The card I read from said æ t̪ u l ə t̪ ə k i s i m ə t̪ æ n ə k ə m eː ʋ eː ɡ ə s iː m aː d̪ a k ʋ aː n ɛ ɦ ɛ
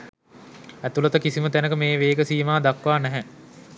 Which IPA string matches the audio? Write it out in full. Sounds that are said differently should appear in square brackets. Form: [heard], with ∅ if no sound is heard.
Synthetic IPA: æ t̪ u l ə t̪ ə k i s i m ə t̪ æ n ə k ə m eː ʋ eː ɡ ə s iː m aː d̪ a k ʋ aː n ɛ ɦ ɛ

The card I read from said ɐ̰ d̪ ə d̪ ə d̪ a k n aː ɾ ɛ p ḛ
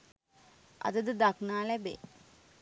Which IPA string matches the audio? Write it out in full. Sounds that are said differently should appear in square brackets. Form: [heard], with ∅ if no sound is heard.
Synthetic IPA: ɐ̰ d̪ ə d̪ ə d̪ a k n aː [l] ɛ [b] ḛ

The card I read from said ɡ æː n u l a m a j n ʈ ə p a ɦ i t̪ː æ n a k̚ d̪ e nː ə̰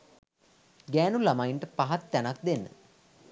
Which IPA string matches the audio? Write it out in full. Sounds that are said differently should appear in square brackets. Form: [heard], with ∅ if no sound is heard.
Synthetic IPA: ɡ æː n u l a m a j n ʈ ə p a ɦ [a] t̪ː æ n a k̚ d̪ e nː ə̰

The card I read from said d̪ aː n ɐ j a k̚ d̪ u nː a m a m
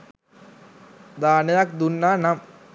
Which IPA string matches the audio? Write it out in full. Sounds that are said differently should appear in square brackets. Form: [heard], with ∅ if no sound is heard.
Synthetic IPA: d̪ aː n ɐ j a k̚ d̪ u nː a [n] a m

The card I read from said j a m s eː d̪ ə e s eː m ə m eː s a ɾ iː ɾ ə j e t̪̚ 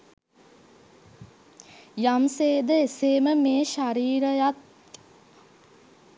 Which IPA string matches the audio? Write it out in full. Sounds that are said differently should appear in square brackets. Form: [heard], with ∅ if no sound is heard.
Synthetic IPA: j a m s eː d̪ ə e s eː m ə m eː [ʃ] a ɾ iː ɾ ə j [a] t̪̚

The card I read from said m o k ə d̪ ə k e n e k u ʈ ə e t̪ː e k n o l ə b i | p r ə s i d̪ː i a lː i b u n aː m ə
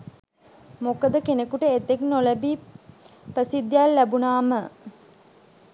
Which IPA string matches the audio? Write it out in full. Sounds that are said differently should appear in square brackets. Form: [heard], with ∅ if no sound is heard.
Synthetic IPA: m o k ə d̪ ə k e n e k u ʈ ə e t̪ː e k n o l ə b i | p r ə s i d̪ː [j] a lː [æ] b u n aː m ə

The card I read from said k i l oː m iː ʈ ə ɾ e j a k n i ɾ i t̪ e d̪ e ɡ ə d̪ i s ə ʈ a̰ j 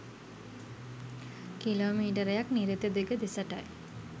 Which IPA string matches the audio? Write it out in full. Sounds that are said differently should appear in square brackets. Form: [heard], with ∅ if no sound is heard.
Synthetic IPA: k i l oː m iː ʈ ə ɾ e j a k n i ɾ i t̪ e d̪ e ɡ ə d̪ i s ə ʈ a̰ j

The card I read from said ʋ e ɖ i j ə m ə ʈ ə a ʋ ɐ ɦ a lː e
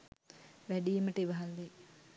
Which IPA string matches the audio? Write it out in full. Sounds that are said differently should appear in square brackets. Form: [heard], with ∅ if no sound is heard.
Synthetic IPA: ʋ [æ] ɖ i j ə m ə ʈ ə [i] ʋ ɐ ɦ a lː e

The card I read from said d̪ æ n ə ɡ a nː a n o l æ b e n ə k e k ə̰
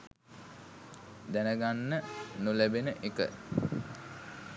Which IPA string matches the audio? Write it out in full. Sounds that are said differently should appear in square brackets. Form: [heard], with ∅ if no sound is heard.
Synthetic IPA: d̪ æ n ə ɡ a nː [ə] n [u] l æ b e n ə [ʔ] e k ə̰

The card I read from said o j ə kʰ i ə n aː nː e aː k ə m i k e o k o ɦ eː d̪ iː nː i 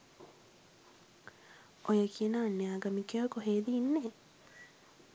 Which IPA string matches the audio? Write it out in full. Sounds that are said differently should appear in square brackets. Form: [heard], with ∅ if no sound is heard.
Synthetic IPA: o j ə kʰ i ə n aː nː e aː [ɡ] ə m i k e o k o ɦ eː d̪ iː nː [e]

